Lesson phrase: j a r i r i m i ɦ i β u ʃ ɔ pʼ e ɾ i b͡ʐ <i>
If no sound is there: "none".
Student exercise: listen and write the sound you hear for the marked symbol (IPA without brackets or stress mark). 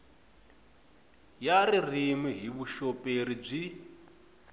i